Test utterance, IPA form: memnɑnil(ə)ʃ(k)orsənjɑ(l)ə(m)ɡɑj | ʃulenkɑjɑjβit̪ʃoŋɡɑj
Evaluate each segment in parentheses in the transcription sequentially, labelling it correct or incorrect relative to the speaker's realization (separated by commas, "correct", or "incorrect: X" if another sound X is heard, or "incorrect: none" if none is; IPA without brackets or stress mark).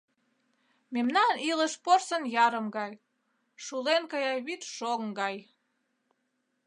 correct, incorrect: p, incorrect: ɾ, correct